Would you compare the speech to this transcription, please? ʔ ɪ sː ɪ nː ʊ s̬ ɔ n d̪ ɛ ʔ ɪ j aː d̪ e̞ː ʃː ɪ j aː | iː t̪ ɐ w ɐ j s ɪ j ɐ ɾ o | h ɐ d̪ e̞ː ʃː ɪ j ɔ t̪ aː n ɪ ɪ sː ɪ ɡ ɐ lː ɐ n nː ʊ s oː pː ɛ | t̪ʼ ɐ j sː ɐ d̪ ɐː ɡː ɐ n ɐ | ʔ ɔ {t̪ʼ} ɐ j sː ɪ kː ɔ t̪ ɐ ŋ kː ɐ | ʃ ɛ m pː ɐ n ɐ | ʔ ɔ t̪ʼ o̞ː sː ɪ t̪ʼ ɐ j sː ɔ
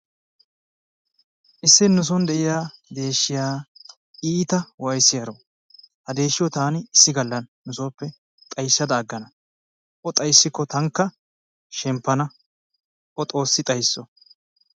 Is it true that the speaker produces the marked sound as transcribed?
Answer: yes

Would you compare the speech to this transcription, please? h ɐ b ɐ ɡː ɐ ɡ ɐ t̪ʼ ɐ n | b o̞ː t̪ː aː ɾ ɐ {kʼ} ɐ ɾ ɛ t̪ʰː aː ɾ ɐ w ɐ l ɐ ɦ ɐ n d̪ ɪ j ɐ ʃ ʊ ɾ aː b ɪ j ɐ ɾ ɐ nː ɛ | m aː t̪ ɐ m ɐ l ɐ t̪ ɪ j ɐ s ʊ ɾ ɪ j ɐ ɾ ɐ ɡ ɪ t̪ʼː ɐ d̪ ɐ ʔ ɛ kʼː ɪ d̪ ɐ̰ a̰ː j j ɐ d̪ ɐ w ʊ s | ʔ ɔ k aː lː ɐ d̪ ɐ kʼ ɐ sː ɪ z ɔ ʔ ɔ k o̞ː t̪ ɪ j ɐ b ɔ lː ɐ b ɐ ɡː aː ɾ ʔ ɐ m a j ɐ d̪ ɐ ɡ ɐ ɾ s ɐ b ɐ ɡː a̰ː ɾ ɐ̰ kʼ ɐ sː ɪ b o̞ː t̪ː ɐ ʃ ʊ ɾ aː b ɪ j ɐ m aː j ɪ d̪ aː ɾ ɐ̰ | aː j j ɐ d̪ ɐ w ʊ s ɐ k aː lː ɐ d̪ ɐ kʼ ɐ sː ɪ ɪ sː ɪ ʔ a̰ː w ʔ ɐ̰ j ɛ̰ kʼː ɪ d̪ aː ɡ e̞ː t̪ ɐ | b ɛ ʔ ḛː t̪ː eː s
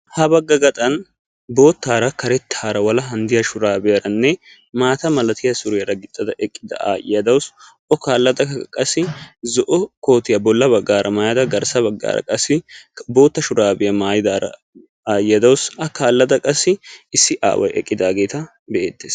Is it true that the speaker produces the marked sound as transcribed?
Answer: no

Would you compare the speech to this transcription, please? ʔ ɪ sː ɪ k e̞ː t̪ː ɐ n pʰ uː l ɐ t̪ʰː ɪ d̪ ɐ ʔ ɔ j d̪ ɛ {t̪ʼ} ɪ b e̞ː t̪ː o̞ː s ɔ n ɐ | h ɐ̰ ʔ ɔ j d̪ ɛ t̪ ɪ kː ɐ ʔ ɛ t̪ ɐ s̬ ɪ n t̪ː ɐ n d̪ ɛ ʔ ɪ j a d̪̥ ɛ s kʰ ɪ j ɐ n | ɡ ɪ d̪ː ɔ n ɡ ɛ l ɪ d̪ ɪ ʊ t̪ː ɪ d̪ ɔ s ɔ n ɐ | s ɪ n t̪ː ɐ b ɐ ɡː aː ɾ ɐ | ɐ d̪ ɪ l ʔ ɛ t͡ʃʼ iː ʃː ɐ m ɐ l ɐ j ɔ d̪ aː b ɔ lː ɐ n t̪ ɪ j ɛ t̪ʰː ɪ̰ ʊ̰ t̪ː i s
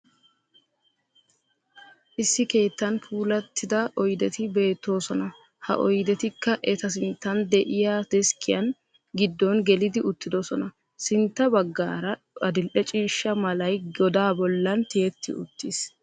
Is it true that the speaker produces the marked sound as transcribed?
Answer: no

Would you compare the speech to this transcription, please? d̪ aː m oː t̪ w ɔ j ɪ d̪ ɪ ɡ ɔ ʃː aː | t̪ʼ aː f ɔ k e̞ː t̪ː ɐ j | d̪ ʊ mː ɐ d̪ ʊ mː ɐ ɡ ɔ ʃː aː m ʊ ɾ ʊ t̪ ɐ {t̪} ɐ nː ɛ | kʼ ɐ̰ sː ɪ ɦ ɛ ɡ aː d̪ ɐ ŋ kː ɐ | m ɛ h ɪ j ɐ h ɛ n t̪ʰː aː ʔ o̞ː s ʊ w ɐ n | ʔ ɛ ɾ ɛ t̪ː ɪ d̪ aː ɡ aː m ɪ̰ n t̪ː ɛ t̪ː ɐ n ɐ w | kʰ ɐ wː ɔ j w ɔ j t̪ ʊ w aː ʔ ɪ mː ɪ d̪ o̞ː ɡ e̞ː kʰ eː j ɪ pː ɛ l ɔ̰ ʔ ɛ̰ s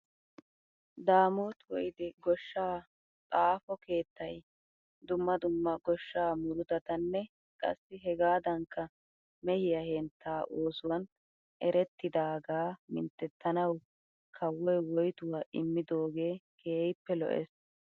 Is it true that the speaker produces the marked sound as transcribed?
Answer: yes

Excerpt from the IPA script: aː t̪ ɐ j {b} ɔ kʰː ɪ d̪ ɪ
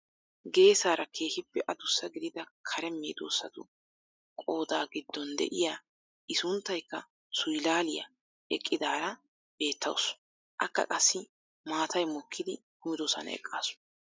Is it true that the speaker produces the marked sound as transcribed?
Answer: no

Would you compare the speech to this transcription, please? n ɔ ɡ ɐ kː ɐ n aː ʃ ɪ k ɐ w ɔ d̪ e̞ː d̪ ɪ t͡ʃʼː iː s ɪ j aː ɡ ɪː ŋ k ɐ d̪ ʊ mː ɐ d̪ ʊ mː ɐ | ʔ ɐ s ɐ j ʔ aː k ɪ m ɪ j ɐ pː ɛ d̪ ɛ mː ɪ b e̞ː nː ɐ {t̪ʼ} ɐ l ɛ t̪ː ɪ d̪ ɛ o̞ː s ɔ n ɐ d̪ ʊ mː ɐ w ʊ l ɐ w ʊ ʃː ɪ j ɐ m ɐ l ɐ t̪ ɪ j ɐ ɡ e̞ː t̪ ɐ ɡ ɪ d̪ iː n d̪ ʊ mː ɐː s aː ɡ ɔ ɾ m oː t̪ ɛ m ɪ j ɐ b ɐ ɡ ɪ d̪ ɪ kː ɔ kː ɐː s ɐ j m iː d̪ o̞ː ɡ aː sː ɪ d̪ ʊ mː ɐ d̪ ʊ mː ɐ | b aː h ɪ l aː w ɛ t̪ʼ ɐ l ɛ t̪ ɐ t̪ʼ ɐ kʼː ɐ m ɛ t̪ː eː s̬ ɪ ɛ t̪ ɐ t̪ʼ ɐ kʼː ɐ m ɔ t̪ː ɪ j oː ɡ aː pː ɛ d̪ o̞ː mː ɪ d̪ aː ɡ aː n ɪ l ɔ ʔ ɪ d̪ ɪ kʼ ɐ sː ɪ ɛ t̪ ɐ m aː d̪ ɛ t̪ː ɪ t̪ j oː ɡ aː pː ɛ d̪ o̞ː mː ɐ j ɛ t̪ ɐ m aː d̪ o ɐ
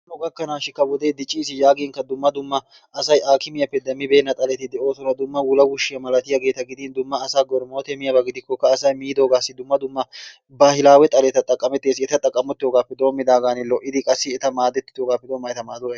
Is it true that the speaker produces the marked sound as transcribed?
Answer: yes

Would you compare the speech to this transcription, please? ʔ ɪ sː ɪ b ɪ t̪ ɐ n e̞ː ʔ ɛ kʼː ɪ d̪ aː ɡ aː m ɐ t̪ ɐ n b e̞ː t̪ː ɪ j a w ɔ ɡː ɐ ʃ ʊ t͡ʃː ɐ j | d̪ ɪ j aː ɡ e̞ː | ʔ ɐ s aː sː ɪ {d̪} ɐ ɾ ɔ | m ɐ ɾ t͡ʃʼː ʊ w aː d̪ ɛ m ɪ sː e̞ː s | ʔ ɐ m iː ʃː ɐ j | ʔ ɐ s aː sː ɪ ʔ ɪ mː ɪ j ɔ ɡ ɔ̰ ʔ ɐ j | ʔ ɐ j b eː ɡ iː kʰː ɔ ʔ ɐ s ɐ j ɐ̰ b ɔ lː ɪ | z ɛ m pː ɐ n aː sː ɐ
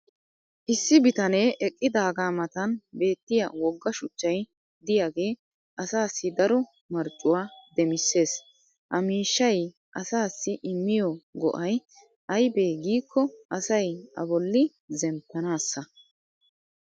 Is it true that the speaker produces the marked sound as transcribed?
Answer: yes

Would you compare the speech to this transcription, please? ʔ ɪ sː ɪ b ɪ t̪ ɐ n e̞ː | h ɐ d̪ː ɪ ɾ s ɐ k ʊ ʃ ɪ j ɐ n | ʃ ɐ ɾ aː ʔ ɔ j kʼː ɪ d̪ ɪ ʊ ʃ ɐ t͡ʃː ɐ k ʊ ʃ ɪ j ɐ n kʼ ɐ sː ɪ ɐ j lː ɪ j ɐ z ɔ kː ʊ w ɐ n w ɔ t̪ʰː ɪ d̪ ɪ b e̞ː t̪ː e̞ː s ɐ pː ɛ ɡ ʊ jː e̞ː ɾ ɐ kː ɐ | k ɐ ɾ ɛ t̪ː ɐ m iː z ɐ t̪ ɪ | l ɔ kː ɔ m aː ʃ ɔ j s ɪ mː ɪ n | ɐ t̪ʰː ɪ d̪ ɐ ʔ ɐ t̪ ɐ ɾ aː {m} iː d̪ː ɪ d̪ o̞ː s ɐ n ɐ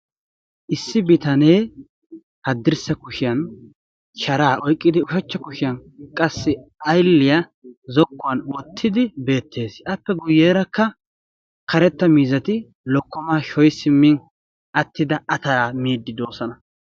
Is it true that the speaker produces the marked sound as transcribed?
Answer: yes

